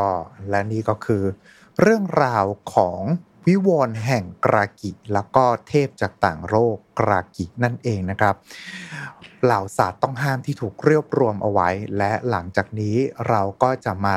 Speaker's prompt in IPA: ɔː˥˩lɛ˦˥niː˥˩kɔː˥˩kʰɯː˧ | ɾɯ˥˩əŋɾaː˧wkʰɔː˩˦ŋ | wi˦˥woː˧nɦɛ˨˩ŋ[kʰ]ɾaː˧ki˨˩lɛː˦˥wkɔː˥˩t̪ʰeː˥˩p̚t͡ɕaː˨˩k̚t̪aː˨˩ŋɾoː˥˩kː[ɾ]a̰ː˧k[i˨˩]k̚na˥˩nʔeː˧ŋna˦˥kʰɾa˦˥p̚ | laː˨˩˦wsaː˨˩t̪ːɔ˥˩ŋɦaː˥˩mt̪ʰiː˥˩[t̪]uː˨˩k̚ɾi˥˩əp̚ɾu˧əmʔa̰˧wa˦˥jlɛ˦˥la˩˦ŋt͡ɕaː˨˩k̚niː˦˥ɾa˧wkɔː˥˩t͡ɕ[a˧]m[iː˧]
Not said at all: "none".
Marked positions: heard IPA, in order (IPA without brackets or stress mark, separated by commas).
k, ɾ, i˨˩, t̪ʰ, a˨˩, aː˧